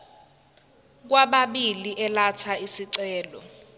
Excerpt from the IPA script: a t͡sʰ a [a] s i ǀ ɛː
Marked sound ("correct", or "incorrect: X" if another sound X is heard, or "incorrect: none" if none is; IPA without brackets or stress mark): incorrect: i